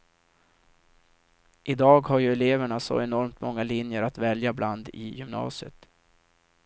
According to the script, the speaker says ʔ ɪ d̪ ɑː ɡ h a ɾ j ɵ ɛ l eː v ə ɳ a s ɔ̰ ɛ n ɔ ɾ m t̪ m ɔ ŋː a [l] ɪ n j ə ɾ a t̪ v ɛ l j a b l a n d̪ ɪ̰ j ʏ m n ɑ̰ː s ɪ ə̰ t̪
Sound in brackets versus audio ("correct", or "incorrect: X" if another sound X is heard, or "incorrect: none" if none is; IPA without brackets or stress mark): correct